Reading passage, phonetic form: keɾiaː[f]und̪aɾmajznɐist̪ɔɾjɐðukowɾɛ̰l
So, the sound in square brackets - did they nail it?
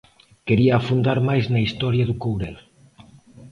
yes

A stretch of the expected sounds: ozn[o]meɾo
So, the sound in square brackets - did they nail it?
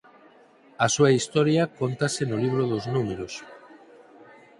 no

